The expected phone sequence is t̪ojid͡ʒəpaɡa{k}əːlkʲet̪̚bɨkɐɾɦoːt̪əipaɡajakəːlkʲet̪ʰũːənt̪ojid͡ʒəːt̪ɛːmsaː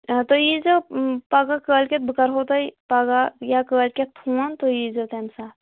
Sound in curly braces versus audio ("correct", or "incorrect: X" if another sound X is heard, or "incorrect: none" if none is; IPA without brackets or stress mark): correct